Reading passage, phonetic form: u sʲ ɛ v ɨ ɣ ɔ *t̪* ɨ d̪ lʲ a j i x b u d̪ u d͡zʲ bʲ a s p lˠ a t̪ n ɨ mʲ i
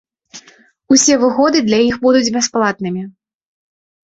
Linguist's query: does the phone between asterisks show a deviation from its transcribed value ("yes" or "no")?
yes